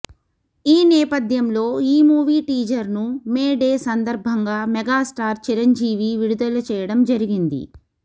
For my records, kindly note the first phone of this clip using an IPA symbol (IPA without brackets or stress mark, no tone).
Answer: iː